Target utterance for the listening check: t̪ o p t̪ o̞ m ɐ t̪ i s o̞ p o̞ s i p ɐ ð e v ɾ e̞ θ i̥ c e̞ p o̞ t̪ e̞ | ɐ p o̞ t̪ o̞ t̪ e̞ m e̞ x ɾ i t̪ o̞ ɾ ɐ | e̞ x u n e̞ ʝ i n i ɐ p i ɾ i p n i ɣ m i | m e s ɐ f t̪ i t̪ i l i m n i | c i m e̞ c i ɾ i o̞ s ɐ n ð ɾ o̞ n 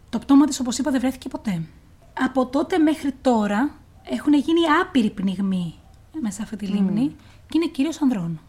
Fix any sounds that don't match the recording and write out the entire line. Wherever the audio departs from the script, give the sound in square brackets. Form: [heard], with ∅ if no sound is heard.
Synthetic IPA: t̪ o p t̪ o̞ m ɐ t̪ i s o̞ p o̞ s i p ɐ ð e v ɾ e̞ θ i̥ c e̞ p o̞ t̪ e̞ | ɐ p o̞ t̪ o̞ t̪ e̞ m e̞ x ɾ i t̪ o̞ ɾ ɐ | e̞ x u n e̞ ʝ i n i ɐ p i ɾ i p n i ɣ m i | m e s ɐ f t̪ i t̪ i l i m n i | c i [n] e̞ c i ɾ i o̞ s ɐ n ð ɾ o̞ n